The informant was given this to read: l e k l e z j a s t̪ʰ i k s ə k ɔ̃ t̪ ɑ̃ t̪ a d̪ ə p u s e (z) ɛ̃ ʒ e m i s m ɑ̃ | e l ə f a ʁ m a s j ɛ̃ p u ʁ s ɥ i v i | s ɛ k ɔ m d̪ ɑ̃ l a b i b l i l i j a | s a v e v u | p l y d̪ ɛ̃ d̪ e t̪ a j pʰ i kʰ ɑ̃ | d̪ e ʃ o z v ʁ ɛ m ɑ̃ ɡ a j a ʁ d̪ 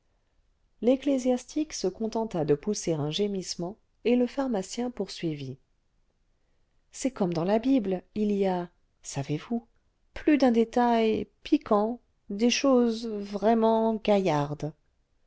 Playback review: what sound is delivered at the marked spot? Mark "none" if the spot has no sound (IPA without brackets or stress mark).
ʁ